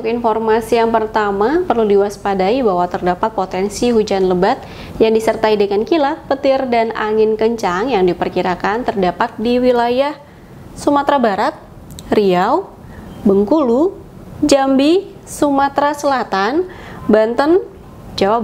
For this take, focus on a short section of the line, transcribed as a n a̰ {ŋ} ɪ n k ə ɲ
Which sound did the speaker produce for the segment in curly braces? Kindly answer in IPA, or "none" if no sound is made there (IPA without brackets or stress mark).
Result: ŋ